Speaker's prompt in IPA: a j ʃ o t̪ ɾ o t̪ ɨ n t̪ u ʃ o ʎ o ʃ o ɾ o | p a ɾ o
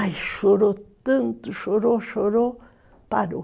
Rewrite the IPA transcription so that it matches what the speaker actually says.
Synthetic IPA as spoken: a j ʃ o ɾ o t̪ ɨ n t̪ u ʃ o ɾ o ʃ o ɾ o | p a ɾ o